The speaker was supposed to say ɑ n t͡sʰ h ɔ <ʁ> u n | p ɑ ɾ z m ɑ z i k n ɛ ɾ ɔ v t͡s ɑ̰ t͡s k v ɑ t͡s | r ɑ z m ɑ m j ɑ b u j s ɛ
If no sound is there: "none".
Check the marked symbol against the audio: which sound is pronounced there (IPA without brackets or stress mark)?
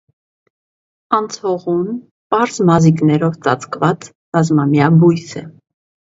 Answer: ʁ